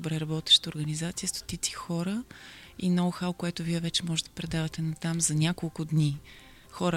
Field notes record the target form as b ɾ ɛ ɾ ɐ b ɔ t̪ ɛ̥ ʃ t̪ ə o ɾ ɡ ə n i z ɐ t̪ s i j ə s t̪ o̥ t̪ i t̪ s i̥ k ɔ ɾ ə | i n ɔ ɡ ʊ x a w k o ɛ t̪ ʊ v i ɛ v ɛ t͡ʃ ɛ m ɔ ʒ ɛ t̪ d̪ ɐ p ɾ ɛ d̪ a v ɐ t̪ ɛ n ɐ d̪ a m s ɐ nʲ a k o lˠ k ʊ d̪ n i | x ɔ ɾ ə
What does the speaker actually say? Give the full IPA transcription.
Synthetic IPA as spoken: b ɾ ɛ ɾ ɐ b ɔ t̪ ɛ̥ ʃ t̪ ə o ɾ ɡ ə n i z a t̪ s i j ə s t̪ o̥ t̪ i t̪ s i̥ x ɔ ɾ ə | i n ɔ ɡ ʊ x a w k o ɛ t̪ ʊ v i ɛ v ɛ t͡ʃ ɛ m ɔ ʒ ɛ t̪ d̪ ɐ p ɾ ɛ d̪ a v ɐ t̪ ɛ n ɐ t̪ a m z ɐ nʲ a k o lˠ k ʊ d̪ n i | x ɔ ɾ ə